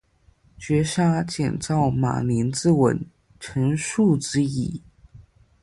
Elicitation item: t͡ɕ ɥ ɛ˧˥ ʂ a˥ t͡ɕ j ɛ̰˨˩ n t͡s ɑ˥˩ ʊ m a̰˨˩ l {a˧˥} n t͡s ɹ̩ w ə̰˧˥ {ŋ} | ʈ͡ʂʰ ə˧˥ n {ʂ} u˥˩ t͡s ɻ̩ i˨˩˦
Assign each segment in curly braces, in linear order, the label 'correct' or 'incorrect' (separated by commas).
incorrect, incorrect, correct